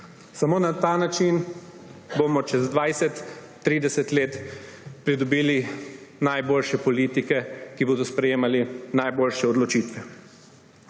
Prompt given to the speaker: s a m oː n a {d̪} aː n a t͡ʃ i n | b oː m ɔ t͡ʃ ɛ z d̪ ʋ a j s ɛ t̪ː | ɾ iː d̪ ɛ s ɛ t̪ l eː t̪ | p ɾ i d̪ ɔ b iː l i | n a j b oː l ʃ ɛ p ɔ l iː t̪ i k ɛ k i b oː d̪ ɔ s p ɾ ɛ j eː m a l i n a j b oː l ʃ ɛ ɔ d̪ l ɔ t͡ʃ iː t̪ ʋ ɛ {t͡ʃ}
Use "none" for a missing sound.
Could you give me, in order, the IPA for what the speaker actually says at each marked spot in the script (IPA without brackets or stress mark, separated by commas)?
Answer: t̪, none